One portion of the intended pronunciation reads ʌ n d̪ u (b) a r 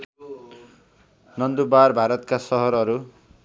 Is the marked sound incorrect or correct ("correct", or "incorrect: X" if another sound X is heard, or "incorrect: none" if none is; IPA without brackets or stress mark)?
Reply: correct